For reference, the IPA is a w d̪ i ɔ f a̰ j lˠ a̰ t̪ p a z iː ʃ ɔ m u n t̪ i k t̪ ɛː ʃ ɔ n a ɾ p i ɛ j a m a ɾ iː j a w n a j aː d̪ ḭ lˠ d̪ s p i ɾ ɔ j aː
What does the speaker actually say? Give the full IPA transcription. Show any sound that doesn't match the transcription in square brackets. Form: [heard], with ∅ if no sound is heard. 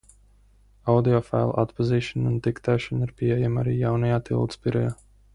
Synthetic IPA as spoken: a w d̪ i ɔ f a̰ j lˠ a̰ t̪ p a z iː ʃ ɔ [n] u n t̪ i k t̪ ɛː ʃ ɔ n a ɾ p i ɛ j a m a ɾ iː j a w n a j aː [t̪] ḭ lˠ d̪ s p i ɾ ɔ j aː